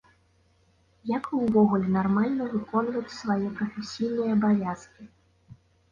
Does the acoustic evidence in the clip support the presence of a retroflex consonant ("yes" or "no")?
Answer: no